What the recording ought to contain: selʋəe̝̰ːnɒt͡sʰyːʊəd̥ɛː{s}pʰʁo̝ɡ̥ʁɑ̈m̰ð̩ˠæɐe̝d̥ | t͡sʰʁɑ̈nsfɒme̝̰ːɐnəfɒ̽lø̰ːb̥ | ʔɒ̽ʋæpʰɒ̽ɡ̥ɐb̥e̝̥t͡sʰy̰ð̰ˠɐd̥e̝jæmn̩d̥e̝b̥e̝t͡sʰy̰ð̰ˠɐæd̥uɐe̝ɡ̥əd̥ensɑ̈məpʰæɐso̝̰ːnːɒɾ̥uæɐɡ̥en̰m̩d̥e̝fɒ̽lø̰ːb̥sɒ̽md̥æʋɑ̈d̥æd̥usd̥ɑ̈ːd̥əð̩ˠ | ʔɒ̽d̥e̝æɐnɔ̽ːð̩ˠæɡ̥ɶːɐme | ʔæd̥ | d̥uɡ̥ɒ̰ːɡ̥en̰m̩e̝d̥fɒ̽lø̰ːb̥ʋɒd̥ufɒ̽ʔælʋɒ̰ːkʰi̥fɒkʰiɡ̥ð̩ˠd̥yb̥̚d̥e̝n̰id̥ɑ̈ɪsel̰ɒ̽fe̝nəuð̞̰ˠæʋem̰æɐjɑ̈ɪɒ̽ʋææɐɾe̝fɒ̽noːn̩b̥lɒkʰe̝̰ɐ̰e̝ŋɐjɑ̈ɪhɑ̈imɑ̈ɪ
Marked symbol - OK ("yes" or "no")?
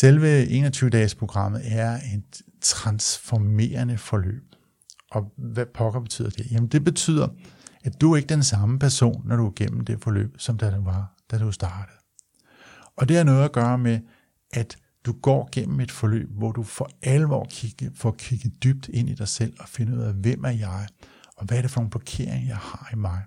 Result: yes